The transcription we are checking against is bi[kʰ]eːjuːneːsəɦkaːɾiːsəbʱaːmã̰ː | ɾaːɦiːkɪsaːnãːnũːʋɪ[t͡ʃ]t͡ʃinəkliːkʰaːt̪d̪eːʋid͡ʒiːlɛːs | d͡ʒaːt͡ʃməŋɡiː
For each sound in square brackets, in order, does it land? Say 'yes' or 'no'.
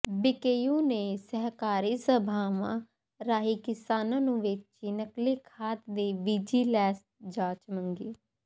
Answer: no, yes

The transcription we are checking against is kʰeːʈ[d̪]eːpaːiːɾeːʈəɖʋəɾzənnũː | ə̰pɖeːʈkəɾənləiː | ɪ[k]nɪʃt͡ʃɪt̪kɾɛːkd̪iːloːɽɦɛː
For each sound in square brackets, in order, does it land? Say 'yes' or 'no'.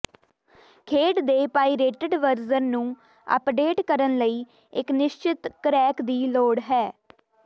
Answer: yes, yes

